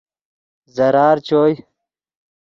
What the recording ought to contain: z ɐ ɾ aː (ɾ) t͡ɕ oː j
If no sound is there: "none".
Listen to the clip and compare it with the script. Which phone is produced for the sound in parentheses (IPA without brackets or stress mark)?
ɾ